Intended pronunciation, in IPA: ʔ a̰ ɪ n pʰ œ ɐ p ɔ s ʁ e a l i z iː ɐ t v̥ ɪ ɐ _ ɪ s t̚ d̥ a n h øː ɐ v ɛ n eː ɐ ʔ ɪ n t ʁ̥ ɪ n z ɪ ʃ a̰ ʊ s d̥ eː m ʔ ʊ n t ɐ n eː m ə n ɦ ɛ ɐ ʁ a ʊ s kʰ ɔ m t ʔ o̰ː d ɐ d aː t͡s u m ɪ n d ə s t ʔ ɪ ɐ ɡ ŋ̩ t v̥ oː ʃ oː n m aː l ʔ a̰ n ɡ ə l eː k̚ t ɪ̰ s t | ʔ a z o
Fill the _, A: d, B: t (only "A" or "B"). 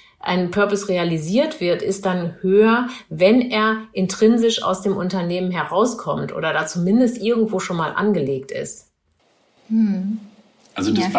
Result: B